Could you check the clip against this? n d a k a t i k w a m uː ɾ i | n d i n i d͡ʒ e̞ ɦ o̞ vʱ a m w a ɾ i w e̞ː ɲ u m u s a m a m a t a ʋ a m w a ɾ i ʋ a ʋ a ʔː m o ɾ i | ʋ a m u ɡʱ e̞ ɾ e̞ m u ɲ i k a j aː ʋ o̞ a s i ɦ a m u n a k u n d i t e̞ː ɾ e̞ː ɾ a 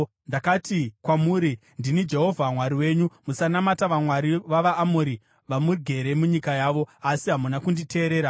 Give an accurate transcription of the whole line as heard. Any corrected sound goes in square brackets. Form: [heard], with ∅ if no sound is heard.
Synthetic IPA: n d a k a t i k w a m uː ɾ i | n d i n i d͡ʒ e̞ ɦ o̞ vʱ a m w a ɾ i w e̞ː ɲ u m u s a [n] a m a t a ʋ a m w a ɾ i ʋ a ʋ a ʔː m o ɾ i | ʋ a m u ɡʱ e̞ ɾ e̞ m u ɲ i k a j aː ʋ o̞ a s i ɦ a m u n a k u n d i t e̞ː ɾ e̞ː ɾ a